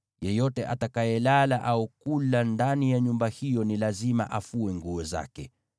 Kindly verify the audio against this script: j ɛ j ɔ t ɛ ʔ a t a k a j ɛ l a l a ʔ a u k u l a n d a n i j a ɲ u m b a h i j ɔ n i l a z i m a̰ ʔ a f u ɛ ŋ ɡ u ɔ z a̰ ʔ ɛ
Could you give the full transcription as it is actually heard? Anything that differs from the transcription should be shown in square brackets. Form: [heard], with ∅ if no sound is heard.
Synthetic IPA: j ɛ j ɔ t ɛ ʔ a t a k a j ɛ l a l a ʔ a u k u l a n d a n i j a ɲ u m b a h i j ɔ n i l a z i m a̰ ʔ a f u ɛ ŋ ɡ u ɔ z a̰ [k] ɛ